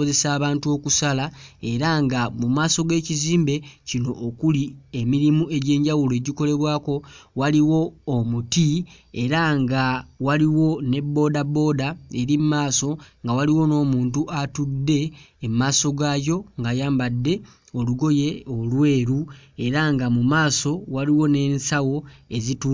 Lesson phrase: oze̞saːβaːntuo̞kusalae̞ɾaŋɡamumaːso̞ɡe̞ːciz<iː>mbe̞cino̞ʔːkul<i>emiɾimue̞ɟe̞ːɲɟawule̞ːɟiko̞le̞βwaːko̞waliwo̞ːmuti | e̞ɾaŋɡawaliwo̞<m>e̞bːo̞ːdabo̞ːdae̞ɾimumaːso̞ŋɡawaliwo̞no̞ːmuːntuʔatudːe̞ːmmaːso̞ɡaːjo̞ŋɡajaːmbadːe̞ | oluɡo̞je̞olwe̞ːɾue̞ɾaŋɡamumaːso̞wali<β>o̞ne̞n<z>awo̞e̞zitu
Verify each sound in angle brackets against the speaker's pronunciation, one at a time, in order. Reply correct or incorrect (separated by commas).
correct, correct, incorrect, incorrect, incorrect